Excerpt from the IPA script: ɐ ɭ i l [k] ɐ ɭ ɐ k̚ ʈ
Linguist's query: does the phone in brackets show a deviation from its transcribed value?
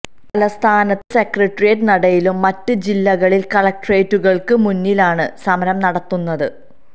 no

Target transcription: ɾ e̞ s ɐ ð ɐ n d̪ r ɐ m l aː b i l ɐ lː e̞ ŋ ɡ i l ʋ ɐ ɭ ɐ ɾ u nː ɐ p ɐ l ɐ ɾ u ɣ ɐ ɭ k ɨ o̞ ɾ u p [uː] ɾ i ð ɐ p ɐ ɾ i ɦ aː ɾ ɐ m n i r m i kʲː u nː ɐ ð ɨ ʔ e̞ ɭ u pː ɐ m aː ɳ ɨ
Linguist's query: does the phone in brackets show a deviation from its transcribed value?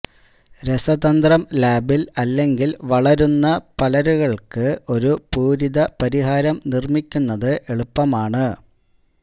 no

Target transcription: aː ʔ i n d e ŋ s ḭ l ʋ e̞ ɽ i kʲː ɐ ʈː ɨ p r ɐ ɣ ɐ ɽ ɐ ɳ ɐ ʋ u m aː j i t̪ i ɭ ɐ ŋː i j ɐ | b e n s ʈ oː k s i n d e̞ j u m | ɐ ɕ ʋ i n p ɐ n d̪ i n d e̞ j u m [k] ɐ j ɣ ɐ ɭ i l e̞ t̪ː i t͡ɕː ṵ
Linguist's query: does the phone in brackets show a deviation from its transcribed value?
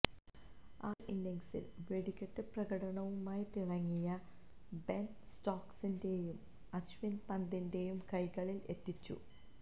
no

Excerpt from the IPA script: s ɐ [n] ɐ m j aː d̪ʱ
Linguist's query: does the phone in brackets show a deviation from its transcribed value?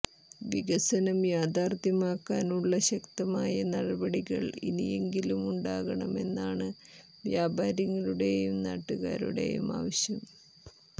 no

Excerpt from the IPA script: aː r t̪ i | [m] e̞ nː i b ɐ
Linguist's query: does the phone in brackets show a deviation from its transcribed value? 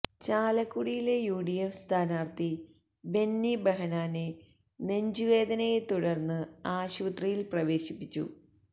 yes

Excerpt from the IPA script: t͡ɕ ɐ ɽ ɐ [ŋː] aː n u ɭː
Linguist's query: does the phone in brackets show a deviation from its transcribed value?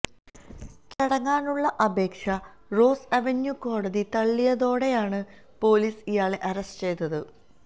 no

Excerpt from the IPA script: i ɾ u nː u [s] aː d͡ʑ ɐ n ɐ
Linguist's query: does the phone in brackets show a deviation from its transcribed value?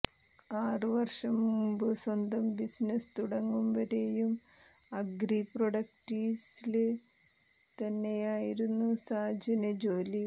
no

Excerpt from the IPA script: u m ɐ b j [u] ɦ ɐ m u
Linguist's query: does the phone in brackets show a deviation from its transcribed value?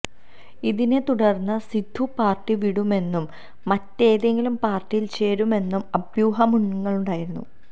yes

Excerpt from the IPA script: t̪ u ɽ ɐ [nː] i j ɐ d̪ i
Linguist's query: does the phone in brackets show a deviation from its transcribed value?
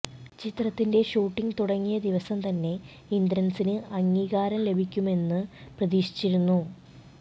yes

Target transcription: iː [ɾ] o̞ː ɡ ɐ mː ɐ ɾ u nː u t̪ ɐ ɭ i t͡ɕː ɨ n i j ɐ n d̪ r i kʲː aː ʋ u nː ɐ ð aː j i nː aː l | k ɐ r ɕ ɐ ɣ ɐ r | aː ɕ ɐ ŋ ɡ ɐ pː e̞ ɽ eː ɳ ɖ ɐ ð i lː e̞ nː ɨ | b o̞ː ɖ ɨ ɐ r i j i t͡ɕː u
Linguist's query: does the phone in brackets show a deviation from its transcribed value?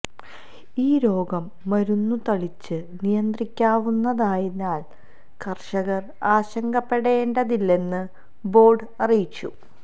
no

